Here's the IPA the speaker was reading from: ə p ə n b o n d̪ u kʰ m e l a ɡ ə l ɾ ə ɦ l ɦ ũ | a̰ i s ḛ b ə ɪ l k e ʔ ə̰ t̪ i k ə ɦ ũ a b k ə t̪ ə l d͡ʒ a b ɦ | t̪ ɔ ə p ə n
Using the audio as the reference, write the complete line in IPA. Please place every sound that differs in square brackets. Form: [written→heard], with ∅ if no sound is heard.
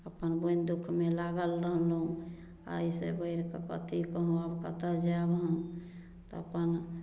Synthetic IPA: ə p ə n b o n d̪ u kʰ m e l a ɡ ə l ɾ ə ɦ l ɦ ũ | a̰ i s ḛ b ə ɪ [l→ɾ] k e [ʔ→k] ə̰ t̪ i k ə ɦ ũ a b k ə t̪ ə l d͡ʒ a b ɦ | t̪ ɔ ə p ə n

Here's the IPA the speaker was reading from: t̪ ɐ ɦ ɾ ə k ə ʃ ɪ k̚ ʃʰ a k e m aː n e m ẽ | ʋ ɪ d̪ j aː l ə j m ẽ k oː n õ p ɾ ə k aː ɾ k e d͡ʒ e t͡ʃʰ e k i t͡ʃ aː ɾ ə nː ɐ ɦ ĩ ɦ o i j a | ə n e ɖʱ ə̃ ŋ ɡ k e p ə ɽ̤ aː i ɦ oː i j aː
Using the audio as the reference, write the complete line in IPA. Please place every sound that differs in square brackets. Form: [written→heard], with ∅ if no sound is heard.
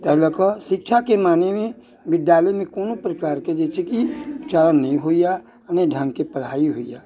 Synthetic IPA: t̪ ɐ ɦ [ɾ→l] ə k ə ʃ ɪ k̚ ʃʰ a k e m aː n e m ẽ | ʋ ɪ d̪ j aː l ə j m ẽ k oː n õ p ɾ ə k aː ɾ k e d͡ʒ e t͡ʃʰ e k i t͡ʃ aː ɾ ə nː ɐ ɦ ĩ ɦ o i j a | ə n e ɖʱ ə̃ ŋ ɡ k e p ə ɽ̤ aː i ɦ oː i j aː

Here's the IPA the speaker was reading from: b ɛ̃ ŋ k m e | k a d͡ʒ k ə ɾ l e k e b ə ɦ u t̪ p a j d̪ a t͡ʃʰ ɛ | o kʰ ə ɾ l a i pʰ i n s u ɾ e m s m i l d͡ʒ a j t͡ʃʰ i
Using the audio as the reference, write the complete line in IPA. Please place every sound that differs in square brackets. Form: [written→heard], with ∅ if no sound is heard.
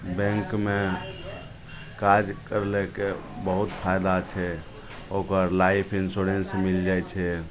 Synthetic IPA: b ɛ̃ ŋ k m e | k a d͡ʒ k ə ɾ l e k e b ə ɦ u t̪ [p→pʰ] a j d̪ a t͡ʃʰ ɛ | o [kʰ→k] ə ɾ l a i pʰ i n s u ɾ e [m→n] s m i l d͡ʒ a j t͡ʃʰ [i→ɛ]

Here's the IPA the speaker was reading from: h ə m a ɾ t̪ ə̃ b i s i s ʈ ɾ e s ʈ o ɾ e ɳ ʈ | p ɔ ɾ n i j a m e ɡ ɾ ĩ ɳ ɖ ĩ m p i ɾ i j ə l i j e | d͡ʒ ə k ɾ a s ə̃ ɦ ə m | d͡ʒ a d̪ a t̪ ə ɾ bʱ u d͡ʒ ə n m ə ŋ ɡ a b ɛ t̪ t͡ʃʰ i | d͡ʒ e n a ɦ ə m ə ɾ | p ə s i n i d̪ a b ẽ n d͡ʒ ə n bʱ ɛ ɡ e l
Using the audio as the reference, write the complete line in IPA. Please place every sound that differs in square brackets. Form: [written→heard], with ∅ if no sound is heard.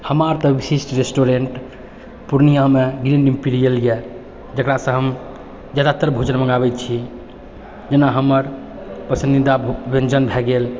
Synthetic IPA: h ə m a ɾ t̪ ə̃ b i s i s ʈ ɾ e s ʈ o ɾ e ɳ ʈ | p [ɔ→u] ɾ n i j a m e ɡ ɾ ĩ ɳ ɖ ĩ m p i ɾ i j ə l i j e | d͡ʒ ə k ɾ a s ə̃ ɦ ə m | d͡ʒ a d̪ a t̪ ə ɾ bʱ u d͡ʒ ə n m ə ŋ ɡ a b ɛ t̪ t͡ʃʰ i | d͡ʒ e n a ɦ ə m ə ɾ | p ə s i n i d̪ a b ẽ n d͡ʒ ə n bʱ ɛ ɡ e l

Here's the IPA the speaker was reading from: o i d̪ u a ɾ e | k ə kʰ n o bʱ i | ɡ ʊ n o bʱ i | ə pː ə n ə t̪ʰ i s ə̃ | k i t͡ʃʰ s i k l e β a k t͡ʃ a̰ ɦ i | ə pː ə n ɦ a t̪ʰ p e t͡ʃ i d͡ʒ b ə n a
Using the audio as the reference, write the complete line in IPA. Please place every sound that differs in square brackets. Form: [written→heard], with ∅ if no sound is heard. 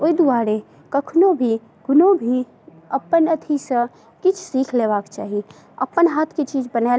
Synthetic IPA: o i d̪ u a ɾ e | k ə kʰ n o bʱ i | ɡ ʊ n o bʱ i | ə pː ə n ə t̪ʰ i s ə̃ | k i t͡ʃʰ s i [k→kʰ] l e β a k t͡ʃ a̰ ɦ i | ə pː ə n ɦ a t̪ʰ [p→k] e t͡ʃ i d͡ʒ b ə n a

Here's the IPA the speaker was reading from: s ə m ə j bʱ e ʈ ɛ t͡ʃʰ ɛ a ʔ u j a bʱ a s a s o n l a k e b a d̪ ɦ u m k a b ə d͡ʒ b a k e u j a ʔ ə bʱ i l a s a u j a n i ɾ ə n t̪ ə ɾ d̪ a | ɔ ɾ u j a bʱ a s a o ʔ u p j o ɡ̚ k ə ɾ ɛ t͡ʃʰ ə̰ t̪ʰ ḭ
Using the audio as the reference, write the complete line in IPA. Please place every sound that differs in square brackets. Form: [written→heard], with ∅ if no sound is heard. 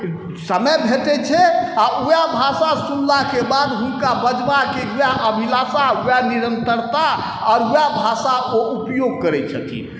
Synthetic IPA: s ə m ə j bʱ e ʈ ɛ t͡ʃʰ ɛ a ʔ u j a bʱ a s a s [o→u] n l a k e b a d̪ ɦ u [m→n] k a b ə d͡ʒ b a k e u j a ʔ ə bʱ i l a s a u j a n i ɾ ə n t̪ ə ɾ [d̪→t̪] a | ɔ ɾ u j a bʱ a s a o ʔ u p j o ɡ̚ k ə ɾ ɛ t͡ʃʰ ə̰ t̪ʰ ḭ

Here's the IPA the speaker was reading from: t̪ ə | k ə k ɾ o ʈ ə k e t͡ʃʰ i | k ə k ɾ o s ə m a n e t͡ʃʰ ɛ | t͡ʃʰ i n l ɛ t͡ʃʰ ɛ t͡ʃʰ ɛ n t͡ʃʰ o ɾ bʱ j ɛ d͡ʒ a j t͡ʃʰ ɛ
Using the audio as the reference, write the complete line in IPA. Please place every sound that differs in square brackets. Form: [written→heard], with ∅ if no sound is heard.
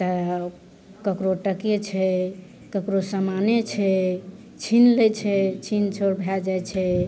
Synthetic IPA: t̪ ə | k ə k ɾ o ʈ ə k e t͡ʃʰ [i→ɛ] | k ə k ɾ o s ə m a n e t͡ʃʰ ɛ | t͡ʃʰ i n l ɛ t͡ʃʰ ɛ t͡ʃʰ [ɛ→i] n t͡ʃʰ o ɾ bʱ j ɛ d͡ʒ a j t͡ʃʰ ɛ

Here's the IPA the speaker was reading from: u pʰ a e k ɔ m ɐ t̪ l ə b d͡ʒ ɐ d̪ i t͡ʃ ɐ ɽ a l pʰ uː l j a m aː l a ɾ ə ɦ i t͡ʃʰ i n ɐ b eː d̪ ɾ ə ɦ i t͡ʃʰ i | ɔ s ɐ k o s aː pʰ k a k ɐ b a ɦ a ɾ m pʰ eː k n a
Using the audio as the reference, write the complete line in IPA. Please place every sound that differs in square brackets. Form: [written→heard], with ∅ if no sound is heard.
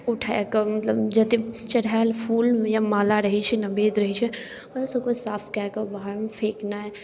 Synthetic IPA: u [pʰ→ʈʰ] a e k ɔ m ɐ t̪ l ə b d͡ʒ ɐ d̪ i t͡ʃ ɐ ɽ a l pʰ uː l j a m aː l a ɾ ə ɦ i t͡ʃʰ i n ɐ b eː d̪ ɾ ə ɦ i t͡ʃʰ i | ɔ s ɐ k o s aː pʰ k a k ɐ b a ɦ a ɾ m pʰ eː k n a

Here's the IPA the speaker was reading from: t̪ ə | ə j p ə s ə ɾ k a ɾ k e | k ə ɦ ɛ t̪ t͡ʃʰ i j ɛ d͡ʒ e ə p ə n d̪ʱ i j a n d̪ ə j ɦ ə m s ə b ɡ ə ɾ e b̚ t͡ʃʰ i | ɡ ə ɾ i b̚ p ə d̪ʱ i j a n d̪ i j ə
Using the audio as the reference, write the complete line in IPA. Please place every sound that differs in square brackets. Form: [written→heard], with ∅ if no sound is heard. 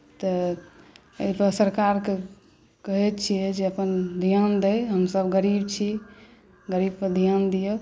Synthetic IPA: t̪ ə | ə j p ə s ə ɾ k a ɾ k e | k ə ɦ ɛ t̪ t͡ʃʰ i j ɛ d͡ʒ e ə p ə n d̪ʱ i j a n d̪ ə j ɦ ə m s ə b ɡ ə ɾ [e→i] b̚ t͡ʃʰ i | ɡ ə ɾ i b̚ p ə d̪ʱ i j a n d̪ i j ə

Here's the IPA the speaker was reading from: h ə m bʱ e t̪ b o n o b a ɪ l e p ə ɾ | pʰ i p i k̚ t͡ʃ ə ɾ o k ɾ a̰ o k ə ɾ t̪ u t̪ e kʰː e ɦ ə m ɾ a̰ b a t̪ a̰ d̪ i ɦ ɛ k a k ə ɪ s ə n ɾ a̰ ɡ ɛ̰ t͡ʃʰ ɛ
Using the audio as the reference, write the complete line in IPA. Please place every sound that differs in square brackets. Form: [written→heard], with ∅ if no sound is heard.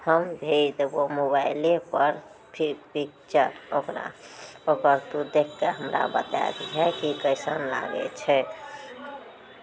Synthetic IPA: h ə m bʱ e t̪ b o [n→m] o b a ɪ l e p ə ɾ | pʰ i p i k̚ t͡ʃ ə ɾ o k ɾ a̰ o k ə ɾ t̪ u [t̪→d̪] e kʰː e ɦ ə m ɾ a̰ b [a→ə] t̪ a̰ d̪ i ɦ ɛ k [a→i] k ə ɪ s ə n [ɾ→l] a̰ ɡ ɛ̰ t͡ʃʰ ɛ

